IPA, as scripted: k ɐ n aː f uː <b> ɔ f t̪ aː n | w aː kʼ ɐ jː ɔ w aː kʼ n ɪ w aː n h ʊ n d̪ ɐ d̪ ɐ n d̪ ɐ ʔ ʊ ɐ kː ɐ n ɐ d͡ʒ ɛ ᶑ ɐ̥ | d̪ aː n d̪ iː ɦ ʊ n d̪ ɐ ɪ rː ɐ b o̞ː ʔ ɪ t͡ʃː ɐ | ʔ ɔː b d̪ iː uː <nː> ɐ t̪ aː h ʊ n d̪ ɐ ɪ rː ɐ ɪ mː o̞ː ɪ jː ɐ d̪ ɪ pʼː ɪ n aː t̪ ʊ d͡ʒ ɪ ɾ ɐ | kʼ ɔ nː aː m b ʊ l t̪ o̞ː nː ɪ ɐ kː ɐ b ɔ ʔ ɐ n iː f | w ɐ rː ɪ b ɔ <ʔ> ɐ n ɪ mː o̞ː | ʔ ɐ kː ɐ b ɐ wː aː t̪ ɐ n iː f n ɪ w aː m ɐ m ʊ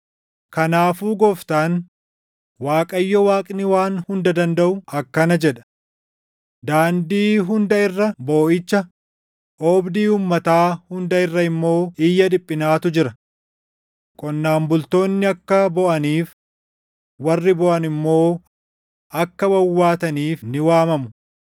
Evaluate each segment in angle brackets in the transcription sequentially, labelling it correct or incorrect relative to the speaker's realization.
incorrect: ɡ, incorrect: mː, correct

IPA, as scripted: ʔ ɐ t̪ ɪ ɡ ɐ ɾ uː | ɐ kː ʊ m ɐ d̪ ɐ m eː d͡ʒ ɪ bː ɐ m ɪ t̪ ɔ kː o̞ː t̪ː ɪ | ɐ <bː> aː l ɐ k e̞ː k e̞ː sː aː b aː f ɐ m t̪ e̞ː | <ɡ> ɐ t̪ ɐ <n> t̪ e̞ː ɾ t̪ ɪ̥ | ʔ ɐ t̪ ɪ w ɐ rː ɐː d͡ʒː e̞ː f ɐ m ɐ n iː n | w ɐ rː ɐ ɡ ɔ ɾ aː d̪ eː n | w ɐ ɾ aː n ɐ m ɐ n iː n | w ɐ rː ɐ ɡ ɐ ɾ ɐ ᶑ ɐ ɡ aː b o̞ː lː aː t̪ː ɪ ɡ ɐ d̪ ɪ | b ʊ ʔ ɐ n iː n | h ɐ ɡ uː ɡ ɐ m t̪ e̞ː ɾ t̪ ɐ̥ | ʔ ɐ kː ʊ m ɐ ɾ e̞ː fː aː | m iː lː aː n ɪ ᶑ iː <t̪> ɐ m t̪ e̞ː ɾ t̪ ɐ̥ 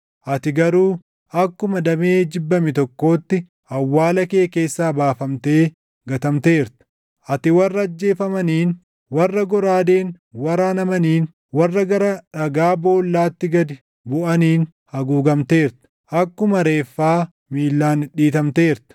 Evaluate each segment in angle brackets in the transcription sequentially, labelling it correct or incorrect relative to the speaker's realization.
incorrect: wː, correct, incorrect: m, correct

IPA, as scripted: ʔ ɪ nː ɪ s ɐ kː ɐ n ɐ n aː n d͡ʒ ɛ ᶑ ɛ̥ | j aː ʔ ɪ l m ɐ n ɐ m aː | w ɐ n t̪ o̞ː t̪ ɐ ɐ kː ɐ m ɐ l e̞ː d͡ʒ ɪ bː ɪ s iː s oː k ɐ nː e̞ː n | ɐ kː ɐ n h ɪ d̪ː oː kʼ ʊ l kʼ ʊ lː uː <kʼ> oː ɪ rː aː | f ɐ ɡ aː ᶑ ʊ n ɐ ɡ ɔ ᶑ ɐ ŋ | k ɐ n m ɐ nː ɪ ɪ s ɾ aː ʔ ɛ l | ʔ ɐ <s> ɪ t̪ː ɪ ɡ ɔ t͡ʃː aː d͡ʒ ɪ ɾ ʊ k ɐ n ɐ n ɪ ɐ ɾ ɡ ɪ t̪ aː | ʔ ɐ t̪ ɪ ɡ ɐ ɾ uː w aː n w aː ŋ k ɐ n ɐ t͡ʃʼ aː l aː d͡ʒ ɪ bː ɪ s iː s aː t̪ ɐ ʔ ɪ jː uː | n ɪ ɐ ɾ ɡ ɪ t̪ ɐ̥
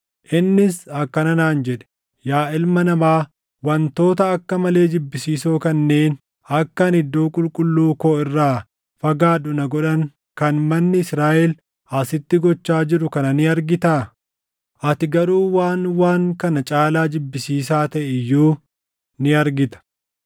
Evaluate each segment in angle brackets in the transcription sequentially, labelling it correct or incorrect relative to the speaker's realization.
incorrect: k, correct

